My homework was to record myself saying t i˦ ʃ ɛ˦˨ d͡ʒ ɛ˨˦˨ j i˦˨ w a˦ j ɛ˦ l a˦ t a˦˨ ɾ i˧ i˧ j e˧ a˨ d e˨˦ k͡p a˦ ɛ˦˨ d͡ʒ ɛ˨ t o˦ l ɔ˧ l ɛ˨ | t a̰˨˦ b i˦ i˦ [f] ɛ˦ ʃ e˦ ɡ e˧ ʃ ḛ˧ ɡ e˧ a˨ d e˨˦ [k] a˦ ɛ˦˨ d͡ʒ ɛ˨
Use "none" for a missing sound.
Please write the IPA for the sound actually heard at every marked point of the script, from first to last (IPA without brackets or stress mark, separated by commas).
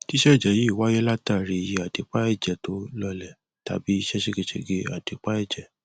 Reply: ʃ, k͡p